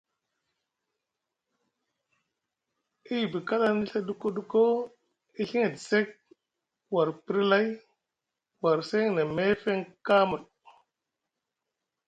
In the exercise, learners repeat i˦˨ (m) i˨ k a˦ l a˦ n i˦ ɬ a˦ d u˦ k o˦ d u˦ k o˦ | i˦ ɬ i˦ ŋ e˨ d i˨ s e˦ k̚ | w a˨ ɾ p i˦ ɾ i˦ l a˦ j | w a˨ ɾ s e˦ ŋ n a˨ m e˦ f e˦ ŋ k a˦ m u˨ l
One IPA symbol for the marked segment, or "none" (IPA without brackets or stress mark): b